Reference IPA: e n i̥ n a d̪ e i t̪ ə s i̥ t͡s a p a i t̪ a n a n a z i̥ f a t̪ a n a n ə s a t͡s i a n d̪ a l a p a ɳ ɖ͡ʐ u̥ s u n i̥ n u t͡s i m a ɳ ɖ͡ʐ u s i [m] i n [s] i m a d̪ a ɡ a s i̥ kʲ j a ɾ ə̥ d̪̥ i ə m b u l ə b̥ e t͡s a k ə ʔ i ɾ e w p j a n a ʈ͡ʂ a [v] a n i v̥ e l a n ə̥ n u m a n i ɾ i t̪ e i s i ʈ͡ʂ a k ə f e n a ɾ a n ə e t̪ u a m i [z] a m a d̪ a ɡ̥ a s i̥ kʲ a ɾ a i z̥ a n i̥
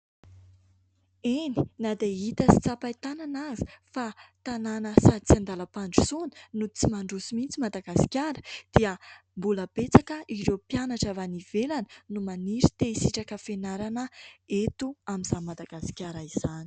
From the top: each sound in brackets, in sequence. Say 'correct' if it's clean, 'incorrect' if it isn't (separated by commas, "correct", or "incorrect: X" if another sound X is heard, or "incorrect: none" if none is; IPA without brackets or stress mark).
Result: correct, incorrect: t͡s, correct, correct